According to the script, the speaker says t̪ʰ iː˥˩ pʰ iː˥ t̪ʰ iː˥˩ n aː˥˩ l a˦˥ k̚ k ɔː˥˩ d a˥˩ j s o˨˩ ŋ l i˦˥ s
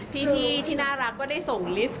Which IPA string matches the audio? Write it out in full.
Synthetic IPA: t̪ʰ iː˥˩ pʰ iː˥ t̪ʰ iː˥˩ n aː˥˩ ɾ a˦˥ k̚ k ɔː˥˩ d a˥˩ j s o˨˩ ŋ l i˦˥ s

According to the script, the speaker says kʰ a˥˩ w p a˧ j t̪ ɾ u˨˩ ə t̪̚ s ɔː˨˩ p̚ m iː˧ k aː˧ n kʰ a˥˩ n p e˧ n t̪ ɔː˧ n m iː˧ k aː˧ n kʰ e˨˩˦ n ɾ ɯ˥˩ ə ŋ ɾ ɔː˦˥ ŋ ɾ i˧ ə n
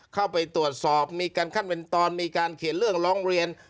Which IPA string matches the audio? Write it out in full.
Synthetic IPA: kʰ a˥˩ w p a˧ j t̪ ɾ u˨˩ ə t̪̚ s ɔː˨˩ p̚ m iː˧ k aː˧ n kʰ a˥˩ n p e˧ n t̪ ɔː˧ n m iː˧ k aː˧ n kʰ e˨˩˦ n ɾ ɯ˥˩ ə ŋ ɾ ɔː˦˥ ŋ ɾ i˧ ə n

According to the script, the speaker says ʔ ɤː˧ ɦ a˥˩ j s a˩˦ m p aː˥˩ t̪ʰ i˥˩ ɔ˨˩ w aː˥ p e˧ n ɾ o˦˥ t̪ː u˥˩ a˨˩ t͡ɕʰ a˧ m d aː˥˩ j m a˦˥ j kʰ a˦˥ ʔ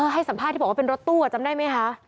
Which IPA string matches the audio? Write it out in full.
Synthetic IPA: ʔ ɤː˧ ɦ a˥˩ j s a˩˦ m pʰ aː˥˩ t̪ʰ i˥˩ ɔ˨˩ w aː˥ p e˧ n ɾ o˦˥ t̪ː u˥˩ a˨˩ t͡ɕ a˧ m d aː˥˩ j m a˦˥ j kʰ a˦˥ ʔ

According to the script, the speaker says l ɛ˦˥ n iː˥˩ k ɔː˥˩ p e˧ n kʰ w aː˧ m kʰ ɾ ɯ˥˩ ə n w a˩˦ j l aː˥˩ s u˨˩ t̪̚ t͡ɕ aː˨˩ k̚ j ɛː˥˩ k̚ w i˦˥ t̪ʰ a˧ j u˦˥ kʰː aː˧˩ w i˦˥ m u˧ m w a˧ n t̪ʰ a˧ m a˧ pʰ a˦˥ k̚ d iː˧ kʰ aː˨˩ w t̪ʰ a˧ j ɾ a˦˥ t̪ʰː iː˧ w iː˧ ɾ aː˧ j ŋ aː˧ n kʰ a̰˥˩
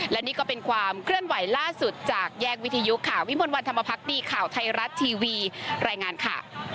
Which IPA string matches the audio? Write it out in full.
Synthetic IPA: l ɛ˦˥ n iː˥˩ k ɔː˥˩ p e˧ n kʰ w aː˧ m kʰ ɾ ɯ˥˩ ə n w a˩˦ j l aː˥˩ s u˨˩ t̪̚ t͡ɕ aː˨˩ k̚ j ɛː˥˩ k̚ w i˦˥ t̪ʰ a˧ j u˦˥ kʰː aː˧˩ w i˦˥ m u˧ n w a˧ n t̪ʰ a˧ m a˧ pʰ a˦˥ k̚ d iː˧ kʰ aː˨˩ w t̪ʰ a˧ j ɾ a˦˥ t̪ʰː iː˧ w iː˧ ɾ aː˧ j ŋ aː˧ n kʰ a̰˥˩

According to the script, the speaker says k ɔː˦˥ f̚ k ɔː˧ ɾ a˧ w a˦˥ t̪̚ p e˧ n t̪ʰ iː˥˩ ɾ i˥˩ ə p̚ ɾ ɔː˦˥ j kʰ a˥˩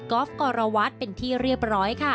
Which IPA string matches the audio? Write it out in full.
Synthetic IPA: k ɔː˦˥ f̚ k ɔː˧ ɾ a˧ w a˦˥ t̪̚ p e˧ n t̪ʰ iː˥˩ ɾ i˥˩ ə p̚ ɾ ɔː˦˥ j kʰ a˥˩

